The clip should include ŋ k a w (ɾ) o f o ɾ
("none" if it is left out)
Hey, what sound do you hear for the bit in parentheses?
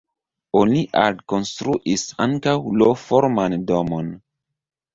l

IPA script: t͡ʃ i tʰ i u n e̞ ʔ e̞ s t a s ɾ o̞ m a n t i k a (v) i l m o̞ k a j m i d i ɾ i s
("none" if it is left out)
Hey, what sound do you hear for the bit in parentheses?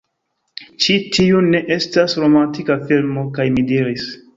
f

